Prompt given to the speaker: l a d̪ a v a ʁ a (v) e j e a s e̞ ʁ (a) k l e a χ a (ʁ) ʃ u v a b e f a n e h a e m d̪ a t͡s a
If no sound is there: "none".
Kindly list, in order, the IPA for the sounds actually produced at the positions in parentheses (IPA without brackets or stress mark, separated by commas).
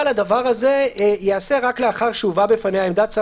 z, a, ʁ